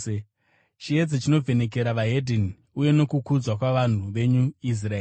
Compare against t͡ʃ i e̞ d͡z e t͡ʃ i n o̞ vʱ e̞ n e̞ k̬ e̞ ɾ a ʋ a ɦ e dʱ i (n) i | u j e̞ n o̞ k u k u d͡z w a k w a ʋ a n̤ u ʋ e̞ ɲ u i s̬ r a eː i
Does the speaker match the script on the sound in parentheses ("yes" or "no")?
yes